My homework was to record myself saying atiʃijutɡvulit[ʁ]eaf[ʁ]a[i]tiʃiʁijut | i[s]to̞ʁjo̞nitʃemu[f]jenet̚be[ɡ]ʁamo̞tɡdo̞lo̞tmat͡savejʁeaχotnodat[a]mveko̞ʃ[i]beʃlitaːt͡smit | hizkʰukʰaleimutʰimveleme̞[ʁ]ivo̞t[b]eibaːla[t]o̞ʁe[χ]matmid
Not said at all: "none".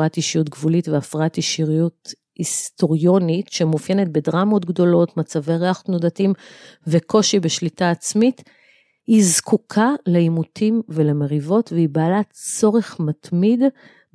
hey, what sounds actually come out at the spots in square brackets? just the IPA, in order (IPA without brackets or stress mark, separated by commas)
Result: v, ʁ, a, s, f, d, i, i, ʁ, v, t͡s, χ